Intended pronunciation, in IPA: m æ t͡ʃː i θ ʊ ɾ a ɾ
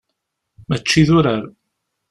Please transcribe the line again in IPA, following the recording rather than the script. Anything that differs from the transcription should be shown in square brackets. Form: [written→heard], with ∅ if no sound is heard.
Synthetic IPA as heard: m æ t͡ʃː i [θ→ð] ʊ ɾ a ɾ